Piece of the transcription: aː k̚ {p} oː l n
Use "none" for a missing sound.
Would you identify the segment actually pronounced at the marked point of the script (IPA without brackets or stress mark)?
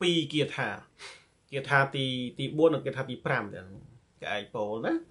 p